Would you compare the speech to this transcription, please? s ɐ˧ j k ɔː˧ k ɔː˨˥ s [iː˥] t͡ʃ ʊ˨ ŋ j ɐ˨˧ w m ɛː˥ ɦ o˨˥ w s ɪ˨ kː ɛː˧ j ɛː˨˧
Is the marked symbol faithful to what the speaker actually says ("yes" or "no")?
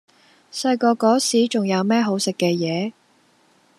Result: no